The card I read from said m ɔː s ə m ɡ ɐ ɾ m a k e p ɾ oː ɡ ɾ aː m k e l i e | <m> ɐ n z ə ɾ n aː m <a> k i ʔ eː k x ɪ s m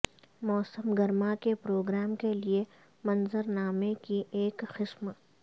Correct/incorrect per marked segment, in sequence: correct, incorrect

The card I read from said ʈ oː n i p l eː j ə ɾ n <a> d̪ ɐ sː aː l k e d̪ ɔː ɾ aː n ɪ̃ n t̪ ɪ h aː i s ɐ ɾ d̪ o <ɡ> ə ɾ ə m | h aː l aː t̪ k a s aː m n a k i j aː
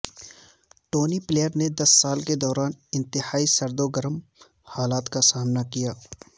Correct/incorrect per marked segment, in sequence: incorrect, correct

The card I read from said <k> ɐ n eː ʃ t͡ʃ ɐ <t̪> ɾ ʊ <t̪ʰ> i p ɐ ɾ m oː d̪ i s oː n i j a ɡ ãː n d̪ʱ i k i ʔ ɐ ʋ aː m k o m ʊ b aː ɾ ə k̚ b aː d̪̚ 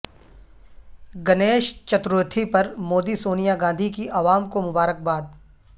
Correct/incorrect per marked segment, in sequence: incorrect, correct, correct

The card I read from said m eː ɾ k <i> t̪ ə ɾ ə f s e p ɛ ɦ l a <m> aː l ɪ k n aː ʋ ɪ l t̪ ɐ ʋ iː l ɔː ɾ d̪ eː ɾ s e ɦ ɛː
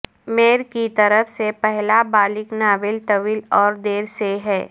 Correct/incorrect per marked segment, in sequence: correct, incorrect

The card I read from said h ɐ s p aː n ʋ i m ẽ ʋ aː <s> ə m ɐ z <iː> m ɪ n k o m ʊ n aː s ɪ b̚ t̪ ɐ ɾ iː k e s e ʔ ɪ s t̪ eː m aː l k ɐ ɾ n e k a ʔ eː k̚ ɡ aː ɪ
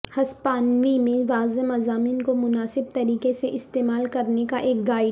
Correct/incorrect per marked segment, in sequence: incorrect, incorrect

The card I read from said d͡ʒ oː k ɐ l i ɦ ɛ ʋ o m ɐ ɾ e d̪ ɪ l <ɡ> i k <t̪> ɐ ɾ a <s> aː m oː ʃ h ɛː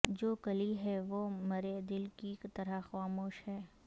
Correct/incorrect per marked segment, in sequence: incorrect, correct, incorrect

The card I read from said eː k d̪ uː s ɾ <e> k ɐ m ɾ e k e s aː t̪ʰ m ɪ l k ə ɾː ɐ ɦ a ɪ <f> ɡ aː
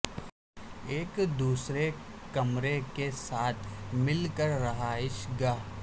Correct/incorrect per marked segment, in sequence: correct, incorrect

